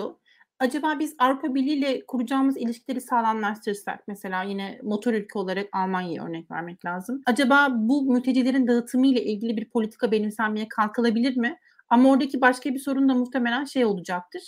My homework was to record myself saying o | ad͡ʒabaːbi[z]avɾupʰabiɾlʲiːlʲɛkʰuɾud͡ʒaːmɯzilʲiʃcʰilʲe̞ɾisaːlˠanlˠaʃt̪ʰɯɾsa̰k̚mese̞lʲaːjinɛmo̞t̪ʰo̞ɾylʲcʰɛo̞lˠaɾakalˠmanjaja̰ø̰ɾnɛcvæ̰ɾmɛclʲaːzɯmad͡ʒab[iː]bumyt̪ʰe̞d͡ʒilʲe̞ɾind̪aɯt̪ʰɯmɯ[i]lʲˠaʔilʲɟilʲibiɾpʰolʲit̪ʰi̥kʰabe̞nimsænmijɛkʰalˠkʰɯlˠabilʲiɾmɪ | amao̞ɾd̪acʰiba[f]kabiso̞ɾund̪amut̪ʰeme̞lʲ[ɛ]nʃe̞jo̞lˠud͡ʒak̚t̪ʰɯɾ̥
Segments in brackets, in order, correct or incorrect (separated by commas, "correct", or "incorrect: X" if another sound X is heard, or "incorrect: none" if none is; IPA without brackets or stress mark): correct, incorrect: aː, incorrect: j, incorrect: ʃ, incorrect: æ